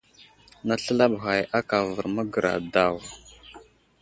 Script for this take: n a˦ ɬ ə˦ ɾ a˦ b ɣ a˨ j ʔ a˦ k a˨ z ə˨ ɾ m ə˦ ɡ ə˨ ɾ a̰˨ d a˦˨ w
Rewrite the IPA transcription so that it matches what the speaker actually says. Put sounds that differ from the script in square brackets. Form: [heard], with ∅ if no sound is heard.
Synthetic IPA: n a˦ ɬ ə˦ [l] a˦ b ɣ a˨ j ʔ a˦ k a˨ [v] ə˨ ɾ m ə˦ ɡ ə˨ ɾ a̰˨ d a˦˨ w

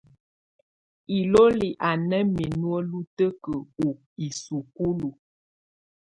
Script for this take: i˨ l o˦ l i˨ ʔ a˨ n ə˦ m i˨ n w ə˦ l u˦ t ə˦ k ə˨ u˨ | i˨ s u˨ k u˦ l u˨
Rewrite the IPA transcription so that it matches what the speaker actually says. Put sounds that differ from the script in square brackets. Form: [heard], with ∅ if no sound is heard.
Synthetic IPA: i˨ l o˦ l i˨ ʔ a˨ n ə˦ m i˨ n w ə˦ l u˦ t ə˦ k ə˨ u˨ | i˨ s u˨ k u˦ l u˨

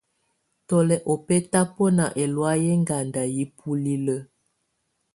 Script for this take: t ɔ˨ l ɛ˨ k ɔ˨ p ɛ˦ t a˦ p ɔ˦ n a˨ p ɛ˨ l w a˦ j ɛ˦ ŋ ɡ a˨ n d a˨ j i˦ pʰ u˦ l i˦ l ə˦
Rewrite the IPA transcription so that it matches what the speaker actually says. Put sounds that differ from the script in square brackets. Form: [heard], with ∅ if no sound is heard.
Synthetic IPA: t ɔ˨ l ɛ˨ [ʔ] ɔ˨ p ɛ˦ t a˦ p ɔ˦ n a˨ [ʔ] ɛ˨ l w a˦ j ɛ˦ ŋ ɡ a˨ n d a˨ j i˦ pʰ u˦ l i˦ l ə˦

